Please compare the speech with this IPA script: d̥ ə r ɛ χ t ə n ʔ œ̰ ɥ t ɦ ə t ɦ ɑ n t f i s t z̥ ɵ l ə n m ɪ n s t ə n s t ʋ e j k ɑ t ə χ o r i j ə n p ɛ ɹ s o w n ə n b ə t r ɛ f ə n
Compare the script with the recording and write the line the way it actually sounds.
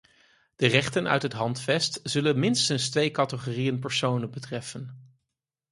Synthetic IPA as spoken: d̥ ə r ɛ χ t ə n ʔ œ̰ ɥ t ɦ ə t ɦ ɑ n t f ɛ s t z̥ ɵ l ə n m ɪ n s t ə n s t ʋ e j k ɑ t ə χ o r i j ə n p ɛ ɹ s o w n ə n b ə t r ɛ f ə n